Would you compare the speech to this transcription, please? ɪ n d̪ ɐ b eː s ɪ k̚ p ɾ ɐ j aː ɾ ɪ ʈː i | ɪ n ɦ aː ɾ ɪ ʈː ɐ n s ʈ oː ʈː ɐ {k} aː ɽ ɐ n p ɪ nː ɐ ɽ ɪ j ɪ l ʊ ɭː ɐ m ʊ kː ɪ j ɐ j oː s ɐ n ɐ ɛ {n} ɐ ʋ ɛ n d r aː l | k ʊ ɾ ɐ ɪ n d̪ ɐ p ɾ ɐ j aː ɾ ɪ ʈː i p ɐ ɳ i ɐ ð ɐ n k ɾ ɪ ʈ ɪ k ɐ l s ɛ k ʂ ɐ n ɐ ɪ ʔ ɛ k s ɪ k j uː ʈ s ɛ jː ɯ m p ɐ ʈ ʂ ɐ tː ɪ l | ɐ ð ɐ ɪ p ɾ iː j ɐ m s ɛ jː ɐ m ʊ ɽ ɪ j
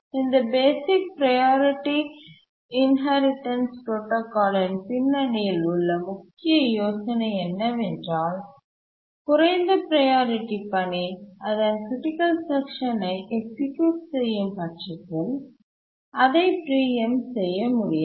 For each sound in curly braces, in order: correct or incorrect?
correct, incorrect: nː

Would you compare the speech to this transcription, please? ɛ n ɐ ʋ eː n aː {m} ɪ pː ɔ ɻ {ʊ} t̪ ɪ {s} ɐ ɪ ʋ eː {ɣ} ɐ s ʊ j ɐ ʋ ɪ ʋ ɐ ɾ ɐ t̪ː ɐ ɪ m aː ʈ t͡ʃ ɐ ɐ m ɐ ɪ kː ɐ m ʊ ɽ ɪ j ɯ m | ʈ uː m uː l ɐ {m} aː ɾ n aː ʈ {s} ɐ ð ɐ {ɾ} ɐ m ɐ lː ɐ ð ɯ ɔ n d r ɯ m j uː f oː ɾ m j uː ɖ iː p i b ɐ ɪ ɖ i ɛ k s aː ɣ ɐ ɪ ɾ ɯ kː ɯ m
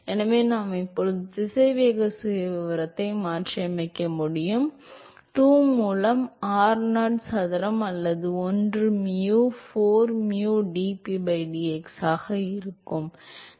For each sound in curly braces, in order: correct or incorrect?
correct, incorrect: ɯ, correct, correct, correct, correct, correct

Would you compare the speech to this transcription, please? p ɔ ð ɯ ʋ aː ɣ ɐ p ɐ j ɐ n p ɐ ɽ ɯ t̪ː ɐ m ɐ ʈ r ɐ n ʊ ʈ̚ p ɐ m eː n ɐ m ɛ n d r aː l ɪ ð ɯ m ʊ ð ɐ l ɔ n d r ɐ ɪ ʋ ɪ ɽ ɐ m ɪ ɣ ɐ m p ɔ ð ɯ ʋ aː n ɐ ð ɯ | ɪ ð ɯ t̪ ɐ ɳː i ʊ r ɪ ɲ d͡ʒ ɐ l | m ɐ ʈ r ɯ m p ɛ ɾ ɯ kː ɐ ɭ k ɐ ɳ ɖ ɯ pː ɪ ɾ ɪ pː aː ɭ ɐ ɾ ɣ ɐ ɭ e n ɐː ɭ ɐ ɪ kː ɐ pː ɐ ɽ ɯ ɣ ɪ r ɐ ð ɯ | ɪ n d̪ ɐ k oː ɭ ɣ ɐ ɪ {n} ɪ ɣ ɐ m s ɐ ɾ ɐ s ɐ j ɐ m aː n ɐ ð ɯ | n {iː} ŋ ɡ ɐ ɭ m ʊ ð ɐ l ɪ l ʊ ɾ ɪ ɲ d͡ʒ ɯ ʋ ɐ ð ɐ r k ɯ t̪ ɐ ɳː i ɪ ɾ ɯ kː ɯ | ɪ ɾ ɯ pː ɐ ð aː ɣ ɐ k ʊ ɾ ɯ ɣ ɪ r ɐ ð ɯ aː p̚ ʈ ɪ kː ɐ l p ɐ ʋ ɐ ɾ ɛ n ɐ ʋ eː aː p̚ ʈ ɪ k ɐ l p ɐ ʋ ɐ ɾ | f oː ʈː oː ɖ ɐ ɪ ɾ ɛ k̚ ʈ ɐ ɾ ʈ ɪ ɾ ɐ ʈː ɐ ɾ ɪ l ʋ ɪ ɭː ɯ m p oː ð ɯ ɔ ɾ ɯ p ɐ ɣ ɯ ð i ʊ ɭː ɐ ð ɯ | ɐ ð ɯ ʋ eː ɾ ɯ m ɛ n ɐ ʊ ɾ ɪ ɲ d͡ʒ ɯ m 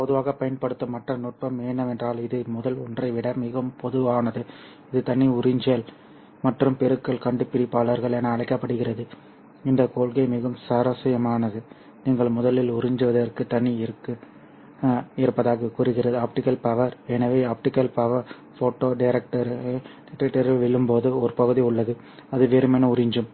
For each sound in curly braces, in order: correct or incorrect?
incorrect: m, correct

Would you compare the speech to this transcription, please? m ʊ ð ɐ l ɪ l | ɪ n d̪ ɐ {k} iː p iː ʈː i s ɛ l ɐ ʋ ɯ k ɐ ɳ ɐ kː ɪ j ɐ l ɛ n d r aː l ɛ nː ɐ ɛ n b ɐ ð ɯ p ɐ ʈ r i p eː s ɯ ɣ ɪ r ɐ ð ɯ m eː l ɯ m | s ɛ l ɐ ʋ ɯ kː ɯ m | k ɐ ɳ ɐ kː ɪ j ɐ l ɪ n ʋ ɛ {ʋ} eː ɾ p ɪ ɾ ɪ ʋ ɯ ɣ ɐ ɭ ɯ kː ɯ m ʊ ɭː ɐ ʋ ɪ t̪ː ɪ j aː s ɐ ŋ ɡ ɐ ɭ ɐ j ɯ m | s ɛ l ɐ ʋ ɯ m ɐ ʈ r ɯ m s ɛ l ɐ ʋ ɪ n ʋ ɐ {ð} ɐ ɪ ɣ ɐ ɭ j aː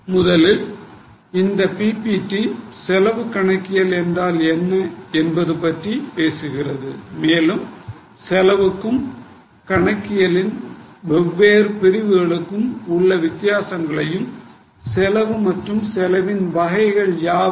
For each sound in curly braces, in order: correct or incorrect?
incorrect: p, incorrect: ʋː, incorrect: ɣ

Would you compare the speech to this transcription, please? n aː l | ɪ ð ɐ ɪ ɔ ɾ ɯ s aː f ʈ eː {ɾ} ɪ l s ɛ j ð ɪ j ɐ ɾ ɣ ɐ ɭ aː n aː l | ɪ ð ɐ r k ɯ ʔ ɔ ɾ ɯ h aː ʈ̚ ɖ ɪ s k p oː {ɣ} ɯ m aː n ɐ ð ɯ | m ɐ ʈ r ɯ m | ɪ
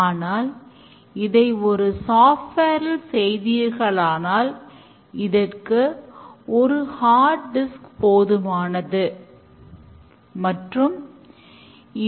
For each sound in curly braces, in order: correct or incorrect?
correct, incorrect: ð

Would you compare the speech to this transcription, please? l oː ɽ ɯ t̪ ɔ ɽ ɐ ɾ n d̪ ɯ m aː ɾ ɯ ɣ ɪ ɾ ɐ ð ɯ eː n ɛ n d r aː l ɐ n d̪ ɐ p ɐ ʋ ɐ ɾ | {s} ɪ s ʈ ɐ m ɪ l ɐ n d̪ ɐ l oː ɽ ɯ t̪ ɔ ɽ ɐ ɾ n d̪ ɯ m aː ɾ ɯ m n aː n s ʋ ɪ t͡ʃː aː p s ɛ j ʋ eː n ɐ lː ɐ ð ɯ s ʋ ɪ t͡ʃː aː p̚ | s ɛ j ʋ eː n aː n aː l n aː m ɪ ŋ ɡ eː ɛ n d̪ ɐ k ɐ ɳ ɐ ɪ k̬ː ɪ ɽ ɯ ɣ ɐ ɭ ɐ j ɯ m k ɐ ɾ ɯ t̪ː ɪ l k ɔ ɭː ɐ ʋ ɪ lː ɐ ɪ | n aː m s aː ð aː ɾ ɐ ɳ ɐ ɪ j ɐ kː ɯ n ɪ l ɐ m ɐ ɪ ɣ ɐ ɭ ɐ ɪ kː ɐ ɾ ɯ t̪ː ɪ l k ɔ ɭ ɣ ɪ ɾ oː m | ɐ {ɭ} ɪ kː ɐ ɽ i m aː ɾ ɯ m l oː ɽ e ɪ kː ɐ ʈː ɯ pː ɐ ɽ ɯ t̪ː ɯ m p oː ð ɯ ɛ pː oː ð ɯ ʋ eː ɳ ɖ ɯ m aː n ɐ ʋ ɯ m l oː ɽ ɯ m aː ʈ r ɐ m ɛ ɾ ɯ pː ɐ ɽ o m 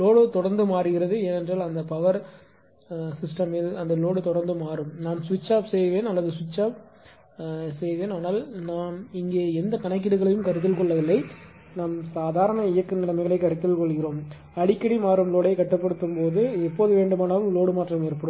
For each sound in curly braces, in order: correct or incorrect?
correct, incorrect: ɽ

